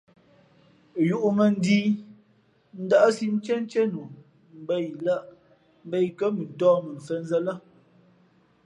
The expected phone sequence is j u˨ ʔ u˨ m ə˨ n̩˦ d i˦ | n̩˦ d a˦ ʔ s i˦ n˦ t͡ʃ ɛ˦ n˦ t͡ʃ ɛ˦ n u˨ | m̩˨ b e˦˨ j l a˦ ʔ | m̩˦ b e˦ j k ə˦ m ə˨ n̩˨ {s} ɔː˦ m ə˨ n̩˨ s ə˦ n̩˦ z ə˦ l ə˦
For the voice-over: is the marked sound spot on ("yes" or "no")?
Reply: no